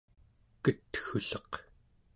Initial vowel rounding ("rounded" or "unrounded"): unrounded